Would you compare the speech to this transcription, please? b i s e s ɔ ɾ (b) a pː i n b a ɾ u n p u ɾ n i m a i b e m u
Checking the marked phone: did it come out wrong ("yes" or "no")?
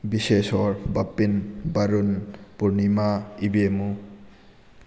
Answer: no